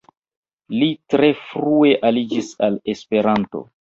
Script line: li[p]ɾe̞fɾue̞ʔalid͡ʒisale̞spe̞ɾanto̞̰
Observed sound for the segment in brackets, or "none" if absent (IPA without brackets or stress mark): t